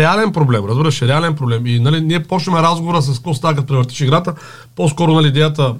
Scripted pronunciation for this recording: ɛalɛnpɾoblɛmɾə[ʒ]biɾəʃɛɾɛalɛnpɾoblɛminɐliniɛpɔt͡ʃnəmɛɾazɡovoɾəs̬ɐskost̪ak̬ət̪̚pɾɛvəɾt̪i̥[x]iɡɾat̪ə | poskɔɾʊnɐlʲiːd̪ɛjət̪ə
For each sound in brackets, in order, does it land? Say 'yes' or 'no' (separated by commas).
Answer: no, no